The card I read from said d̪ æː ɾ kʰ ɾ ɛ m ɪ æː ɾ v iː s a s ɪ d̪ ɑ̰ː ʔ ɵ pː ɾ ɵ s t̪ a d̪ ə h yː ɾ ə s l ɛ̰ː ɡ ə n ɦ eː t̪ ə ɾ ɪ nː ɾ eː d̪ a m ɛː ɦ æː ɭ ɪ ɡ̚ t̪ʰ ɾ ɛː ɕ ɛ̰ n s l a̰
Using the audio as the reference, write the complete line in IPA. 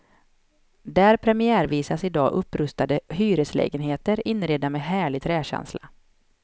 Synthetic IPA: d̪ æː ɾ pʰ ɾ ɛ m ɪ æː ɾ v iː s a s ɪ d̪ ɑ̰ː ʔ ɵ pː ɾ ɵ s t̪ a d̪ ə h yː ɾ ə s l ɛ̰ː ɡ ə n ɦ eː t̪ ə ɾ ɪ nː ɾ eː d̪ a m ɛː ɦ æː ɭ ɪ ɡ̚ t̪ʰ ɾ ɛː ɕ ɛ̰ n s l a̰